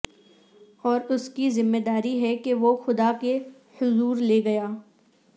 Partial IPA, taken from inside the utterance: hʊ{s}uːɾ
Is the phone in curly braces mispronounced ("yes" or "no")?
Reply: yes